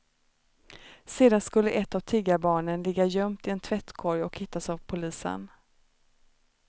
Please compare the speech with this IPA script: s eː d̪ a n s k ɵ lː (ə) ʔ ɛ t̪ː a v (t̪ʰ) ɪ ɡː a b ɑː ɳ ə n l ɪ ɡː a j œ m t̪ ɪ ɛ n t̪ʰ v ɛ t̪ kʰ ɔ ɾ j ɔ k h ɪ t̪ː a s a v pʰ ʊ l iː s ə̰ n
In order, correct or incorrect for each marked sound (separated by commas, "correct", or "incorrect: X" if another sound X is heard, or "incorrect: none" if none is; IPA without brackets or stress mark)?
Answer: correct, correct